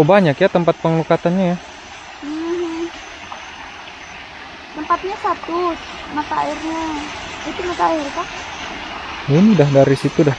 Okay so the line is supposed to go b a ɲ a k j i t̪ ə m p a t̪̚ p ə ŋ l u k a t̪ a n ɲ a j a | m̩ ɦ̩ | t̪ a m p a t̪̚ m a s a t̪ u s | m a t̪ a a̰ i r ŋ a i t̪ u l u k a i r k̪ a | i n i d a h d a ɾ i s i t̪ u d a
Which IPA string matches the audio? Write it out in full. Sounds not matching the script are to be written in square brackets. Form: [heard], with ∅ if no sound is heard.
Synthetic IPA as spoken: b a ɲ a k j [a] t̪ ə m p a t̪̚ p ə ŋ l u k a t̪ a n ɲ a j a | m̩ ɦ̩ | t̪ [ə] m p a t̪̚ [ɲ] a s a t̪ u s | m a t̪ a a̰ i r [ɲ] a i t̪ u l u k a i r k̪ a | i n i d a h d a ɾ i s i t̪ u d a